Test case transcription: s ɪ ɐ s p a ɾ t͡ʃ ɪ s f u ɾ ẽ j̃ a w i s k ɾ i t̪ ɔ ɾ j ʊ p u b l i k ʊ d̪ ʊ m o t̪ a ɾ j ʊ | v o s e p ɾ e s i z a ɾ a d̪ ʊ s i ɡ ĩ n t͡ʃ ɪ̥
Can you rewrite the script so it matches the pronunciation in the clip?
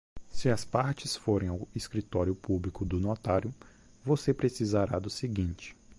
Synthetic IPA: s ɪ ɐ s p a ɾ t͡ʃ ɪ s f o ɾ ẽ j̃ a w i s k ɾ i t̪ ɔ ɾ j ʊ p u b l i k ʊ d̪ ʊ n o t̪ a ɾ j ʊ | v o s e p ɾ e s i z a ɾ a d̪ ʊ s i ɡ ĩ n t͡ʃ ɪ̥